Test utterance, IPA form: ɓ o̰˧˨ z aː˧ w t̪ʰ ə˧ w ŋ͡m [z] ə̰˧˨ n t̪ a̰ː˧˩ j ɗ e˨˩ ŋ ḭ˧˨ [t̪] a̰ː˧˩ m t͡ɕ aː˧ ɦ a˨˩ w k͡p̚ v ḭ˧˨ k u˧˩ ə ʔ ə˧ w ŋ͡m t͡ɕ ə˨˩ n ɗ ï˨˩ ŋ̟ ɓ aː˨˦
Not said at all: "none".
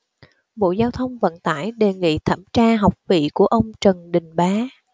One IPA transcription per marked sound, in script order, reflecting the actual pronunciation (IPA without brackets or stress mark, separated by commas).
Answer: v, t̪ʰ